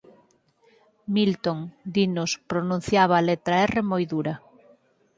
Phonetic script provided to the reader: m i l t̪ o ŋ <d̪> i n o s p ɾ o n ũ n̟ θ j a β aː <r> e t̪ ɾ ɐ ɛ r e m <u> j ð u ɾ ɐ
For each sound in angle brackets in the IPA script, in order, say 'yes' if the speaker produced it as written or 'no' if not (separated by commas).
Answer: yes, no, no